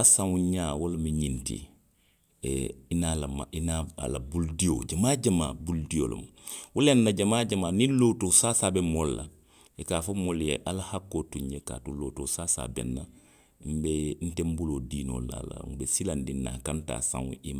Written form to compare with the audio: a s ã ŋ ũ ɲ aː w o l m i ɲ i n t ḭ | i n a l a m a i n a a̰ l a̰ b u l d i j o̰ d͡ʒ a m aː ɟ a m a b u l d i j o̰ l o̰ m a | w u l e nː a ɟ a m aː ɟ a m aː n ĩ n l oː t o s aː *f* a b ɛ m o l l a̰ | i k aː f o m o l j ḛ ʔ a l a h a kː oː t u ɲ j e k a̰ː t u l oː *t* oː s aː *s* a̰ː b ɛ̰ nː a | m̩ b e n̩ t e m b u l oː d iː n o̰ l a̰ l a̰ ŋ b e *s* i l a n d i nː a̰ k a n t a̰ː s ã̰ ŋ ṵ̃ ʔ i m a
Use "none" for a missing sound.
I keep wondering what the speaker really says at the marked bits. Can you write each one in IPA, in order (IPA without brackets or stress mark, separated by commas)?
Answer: s, t, s, s